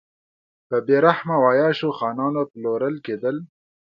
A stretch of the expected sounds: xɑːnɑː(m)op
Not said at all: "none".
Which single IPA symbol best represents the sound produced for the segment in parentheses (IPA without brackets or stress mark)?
n